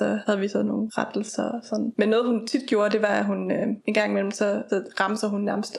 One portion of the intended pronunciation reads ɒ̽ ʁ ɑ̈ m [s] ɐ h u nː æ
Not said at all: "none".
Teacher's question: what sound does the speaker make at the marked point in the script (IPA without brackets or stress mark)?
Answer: s